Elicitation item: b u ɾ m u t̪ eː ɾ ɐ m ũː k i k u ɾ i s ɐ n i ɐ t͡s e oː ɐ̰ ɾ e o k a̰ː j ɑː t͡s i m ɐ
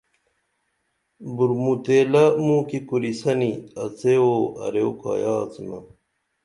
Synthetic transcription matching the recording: b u ɾ m u t̪ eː l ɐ m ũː k i k u ɾ i s ɐ n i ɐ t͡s e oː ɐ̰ ɾ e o k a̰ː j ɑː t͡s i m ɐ